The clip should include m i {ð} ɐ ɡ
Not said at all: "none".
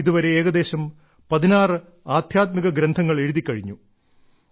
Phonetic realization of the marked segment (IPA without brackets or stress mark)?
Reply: ɣ